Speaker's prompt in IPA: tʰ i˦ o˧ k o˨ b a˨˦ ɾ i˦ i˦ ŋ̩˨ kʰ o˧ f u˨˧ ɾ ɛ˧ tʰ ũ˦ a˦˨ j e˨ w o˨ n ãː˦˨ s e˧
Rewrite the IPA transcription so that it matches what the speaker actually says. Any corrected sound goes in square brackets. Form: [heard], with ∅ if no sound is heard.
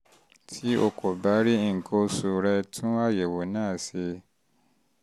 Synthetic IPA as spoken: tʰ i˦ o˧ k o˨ b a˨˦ ɾ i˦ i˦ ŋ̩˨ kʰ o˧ [s] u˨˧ ɾ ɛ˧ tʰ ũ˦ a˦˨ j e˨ w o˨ n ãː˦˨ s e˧